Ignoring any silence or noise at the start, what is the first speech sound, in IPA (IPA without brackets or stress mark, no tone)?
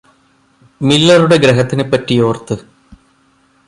m